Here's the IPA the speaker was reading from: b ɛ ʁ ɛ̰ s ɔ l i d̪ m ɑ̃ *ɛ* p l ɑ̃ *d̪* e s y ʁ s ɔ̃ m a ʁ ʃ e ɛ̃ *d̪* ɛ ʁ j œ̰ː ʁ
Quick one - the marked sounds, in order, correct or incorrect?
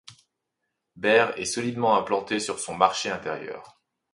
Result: incorrect: ɛ̃, incorrect: t̪, incorrect: t̪

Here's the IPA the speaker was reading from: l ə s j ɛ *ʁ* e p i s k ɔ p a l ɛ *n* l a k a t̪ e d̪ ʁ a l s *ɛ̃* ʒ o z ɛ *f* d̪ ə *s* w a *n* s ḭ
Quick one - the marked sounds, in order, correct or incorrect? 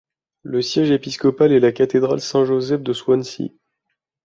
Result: incorrect: ʒ, incorrect: none, correct, correct, correct, correct

